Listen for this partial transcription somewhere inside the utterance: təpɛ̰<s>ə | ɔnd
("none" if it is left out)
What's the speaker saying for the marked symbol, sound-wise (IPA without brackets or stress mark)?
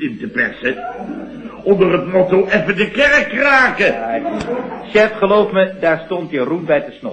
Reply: s